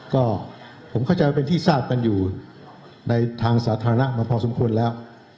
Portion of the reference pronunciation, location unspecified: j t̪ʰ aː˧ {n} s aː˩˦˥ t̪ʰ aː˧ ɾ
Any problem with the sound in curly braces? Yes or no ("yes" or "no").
yes